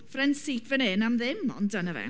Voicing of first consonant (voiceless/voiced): voiceless